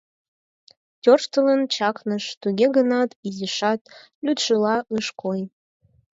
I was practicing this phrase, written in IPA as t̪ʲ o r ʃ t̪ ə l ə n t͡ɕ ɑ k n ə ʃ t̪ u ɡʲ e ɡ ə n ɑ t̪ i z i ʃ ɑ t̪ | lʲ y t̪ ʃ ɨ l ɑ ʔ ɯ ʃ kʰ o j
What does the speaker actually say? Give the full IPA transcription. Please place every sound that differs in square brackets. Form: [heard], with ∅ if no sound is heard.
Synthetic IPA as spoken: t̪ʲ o r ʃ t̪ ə l ə n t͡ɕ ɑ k n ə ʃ t̪ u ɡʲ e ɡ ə n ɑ t̪ i z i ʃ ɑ t̪ | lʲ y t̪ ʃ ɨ l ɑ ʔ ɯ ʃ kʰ o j